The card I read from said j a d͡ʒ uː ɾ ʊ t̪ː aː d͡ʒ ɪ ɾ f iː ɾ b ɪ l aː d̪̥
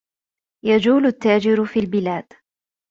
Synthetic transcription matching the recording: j a d͡ʒ uː l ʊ t̪ː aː d͡ʒ ɪ ɾ f iː l b ɪ l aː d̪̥